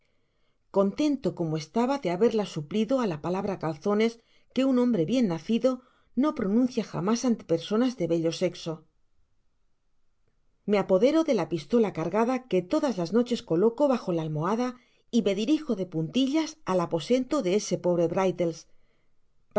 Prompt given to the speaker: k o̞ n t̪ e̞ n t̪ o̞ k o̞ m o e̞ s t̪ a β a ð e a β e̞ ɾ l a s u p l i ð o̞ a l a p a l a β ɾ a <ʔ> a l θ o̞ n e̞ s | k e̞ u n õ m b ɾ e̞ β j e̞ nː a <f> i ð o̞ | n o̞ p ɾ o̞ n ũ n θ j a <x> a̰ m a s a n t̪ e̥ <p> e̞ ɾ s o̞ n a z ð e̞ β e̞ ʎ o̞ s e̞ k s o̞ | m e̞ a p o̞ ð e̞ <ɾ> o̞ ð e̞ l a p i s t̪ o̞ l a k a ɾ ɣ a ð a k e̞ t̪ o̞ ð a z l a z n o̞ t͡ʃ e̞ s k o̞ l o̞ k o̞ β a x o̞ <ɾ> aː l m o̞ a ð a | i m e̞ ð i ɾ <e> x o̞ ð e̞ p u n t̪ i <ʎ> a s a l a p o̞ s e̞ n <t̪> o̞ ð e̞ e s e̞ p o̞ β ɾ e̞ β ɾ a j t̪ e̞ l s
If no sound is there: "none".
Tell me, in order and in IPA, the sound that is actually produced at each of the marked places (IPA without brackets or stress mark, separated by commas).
k, θ, x, p, ɾ, l, i, ʎ, t̪